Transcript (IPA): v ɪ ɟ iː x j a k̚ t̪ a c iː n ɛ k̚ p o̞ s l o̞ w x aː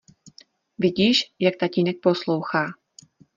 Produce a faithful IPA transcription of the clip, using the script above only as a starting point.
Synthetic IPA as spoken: v ɪ ɟ iː ʃ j a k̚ t̪ a c iː n ɛ k̚ p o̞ s l o̞ w x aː